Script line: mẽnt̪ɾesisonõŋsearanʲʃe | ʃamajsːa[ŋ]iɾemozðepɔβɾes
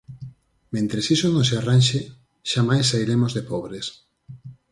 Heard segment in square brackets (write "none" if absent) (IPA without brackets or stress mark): none